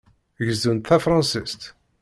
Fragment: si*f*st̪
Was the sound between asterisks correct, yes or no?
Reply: no